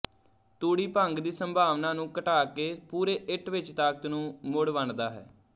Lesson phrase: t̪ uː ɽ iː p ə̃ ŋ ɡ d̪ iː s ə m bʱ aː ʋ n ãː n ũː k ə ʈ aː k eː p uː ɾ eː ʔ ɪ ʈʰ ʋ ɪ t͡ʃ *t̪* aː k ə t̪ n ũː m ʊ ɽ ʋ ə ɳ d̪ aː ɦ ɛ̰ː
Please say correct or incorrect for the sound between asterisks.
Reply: correct